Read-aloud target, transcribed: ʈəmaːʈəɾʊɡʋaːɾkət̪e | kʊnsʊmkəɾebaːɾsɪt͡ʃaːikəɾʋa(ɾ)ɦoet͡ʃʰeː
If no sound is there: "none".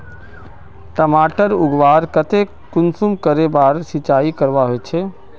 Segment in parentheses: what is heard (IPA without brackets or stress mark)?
none